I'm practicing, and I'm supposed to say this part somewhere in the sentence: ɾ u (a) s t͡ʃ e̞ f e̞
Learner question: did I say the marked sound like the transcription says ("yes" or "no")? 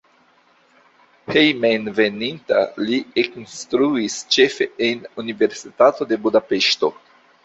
no